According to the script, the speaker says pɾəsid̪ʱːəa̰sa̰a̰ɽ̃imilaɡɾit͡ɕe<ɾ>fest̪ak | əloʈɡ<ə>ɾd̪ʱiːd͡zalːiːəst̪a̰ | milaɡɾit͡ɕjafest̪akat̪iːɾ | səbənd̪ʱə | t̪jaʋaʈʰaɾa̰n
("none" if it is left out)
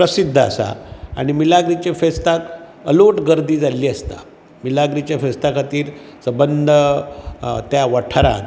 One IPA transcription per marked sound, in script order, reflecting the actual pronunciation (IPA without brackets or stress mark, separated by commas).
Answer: none, ə